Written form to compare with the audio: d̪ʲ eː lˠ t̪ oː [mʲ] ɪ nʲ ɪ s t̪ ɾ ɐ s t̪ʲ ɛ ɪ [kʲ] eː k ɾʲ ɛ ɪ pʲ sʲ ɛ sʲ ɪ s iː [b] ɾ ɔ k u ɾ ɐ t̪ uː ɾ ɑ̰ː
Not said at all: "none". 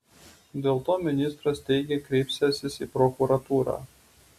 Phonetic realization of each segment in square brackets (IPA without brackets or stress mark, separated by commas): mʲ, ɡʲ, p